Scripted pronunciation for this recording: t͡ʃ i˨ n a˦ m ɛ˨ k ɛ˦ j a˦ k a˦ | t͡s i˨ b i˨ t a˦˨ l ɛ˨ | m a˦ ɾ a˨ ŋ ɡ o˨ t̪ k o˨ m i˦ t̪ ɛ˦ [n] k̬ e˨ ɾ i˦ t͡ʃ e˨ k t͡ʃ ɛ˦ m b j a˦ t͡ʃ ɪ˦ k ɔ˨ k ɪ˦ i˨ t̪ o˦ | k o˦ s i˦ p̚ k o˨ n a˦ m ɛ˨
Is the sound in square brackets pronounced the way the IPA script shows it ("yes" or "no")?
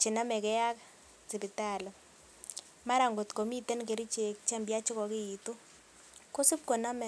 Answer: yes